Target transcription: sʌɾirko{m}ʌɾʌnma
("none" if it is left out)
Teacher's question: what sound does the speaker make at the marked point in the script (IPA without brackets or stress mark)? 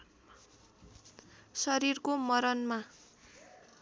m